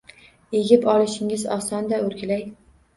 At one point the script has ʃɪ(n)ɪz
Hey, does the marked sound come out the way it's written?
no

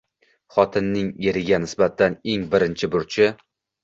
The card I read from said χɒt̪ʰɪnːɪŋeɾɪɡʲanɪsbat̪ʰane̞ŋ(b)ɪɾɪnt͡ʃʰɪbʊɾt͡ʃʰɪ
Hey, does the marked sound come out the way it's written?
yes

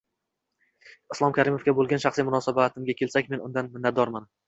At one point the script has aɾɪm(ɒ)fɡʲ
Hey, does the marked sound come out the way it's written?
no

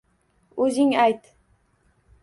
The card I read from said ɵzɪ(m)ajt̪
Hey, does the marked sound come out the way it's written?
no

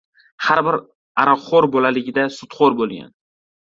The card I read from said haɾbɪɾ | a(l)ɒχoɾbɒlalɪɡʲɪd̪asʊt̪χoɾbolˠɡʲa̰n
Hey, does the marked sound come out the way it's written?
no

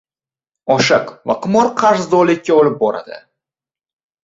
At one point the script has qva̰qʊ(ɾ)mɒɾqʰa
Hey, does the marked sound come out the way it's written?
no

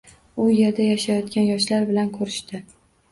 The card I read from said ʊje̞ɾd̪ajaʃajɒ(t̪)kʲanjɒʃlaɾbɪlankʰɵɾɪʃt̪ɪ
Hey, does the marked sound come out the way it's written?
yes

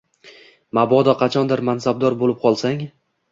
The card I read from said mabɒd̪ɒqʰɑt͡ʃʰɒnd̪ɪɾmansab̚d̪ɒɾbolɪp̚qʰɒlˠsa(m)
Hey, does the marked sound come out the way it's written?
no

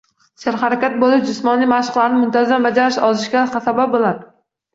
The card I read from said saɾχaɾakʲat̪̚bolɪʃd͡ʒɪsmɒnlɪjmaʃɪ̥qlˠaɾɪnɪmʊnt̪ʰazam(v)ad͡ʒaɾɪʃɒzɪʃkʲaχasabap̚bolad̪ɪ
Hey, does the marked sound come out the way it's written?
no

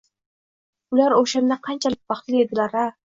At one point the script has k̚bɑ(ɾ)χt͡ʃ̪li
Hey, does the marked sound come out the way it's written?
no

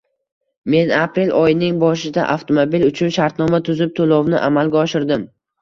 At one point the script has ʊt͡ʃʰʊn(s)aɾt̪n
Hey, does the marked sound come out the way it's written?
no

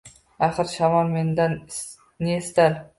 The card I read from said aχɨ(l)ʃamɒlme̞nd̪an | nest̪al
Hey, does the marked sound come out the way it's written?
no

